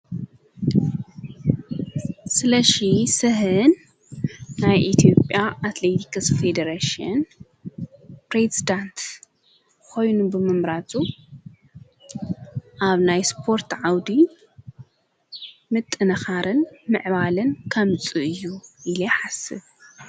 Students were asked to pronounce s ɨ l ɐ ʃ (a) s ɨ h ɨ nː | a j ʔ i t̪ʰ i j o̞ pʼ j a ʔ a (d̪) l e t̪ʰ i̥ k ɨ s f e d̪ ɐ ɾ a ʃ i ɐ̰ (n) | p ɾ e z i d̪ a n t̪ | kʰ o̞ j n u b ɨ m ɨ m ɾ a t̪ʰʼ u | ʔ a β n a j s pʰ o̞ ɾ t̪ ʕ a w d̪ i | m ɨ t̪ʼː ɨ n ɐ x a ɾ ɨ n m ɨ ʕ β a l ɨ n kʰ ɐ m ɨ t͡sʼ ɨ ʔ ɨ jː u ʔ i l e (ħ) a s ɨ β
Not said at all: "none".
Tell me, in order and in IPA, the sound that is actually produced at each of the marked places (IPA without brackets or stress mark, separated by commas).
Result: i, t̪, n, ħ